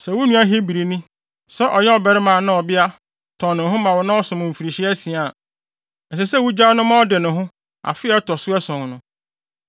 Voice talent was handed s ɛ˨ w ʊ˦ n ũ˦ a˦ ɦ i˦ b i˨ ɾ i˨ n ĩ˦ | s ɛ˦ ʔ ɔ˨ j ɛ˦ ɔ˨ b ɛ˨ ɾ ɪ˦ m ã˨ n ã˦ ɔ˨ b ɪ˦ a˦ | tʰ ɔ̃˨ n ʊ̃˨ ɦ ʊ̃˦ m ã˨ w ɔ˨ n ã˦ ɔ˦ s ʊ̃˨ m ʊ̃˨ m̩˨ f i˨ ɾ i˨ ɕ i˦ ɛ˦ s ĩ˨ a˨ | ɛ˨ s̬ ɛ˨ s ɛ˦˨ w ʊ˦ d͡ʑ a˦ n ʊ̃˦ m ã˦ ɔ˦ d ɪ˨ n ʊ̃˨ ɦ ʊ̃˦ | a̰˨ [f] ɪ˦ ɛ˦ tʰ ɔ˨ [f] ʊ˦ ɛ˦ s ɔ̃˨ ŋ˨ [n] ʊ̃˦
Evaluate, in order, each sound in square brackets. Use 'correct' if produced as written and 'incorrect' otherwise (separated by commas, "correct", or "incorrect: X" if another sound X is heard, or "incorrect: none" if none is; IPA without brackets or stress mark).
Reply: correct, incorrect: s, correct